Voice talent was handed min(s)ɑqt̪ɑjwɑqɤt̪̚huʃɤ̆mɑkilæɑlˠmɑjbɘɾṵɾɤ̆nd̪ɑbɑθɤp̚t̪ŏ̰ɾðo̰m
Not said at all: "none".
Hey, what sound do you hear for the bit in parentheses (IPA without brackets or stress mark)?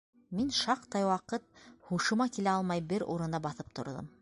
ʃ